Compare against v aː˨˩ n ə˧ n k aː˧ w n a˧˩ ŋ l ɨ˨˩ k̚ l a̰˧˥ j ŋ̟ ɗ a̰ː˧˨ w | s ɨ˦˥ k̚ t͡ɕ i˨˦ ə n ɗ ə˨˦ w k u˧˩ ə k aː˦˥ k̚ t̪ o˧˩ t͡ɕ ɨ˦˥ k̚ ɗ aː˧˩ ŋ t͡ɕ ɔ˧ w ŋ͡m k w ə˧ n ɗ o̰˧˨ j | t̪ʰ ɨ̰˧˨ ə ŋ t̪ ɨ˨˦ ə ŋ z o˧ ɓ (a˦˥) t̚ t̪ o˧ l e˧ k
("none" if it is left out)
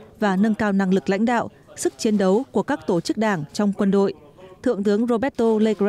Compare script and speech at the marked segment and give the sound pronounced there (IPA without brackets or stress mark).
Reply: ɛ˦˥